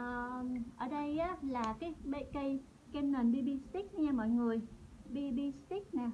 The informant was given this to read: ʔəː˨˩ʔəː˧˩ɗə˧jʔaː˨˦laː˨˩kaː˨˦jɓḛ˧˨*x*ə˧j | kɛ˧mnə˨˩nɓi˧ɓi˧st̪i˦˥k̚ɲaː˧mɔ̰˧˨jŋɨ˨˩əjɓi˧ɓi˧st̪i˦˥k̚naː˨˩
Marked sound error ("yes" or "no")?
yes